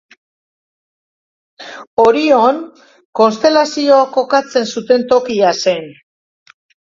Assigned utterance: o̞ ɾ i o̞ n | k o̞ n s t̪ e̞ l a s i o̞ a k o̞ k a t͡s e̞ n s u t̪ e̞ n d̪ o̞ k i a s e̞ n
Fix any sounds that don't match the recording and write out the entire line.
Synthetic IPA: o̞ ɾ i o̞ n | k o̞ n s t̪ e̞ l a s i o̞ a k o̞ k a t͡s e̞ n s u t̪ e̞ n t̪ o̞ k i a s e̞ n

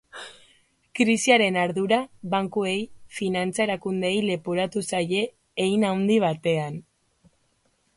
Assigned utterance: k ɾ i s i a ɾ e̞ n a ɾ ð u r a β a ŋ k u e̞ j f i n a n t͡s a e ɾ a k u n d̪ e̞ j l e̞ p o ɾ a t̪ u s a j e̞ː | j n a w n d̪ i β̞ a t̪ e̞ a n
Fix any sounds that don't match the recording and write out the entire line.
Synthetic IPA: k ɾ i s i a ɾ e̞ n a ɾ ð u ɾ a β a ŋ k u e̞ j f i n a n t͡s a e ɾ a k u n d̪ e̞ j l e̞ p o ɾ a t̪ u s a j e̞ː | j n a w n d̪ i β̞ a t̪ e̞ a n

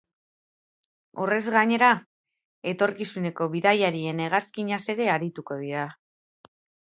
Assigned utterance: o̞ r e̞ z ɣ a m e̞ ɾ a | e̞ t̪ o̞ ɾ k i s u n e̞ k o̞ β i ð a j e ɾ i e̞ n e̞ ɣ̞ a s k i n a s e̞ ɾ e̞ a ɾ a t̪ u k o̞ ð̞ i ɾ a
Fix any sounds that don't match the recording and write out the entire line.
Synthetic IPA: o̞ r e̞ z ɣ a ɲ e̞ ɾ a | e̞ t̪ o̞ ɾ k i s u n e̞ k o̞ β i ð a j a ɾ i e̞ n e̞ ɣ̞ a s k i ɲ a s e̞ ɾ e̞ a ɾ i t̪ u k o̞ ð̞ i ɾ a

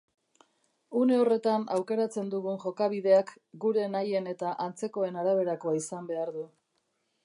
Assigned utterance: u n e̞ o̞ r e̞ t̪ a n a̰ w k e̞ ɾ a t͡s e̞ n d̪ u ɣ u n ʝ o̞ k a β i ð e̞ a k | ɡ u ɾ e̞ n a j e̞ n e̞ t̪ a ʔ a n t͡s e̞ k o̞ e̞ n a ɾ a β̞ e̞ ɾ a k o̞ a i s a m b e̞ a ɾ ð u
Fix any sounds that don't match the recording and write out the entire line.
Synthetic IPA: u n e̞ o̞ r e̞ t̪ a n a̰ w k e̞ ɾ a t͡s e̞ n d̪ u ɣ u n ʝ o̞ k a β i ð e̞ a k | ɡ u ɾ e̞ n a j e̞ n e̞ t̪ a ʔ a n t͡s e̞ k o̞ e̞ n a ɾ a β̞ e̞ ɾ a k o̞ a i s a m b e̞ a ɾ ð u

